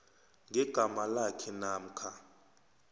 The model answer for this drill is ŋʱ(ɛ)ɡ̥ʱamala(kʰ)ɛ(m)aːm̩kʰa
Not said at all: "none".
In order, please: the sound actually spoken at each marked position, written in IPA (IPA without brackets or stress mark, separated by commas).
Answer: ɛ, kʰ, n